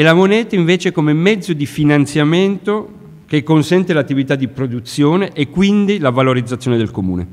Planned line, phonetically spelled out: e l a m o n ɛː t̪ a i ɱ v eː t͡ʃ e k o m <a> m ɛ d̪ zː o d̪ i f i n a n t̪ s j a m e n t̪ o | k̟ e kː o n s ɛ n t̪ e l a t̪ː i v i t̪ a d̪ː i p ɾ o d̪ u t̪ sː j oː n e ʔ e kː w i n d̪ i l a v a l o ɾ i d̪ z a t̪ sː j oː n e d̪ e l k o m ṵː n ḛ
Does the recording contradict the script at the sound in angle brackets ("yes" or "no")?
yes